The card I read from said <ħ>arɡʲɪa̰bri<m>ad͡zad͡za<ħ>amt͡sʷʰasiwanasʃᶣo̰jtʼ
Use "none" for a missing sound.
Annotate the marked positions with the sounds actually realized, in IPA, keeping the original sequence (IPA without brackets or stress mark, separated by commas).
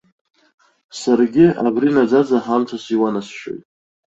s, n, ħ